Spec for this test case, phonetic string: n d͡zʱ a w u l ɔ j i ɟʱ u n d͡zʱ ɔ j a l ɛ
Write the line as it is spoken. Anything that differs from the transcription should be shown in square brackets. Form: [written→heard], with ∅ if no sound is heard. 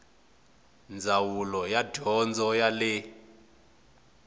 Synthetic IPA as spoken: n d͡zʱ a w u l ɔ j [i→a] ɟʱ [u→ɔ] n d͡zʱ ɔ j a l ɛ